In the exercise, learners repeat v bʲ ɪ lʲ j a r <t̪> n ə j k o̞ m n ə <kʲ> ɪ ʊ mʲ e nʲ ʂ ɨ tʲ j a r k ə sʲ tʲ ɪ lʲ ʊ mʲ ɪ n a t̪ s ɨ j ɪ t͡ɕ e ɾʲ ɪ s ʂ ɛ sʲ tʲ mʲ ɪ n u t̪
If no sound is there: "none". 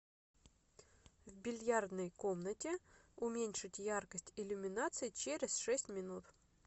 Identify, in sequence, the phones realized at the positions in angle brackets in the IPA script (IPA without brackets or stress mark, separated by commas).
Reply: d̪, tʲ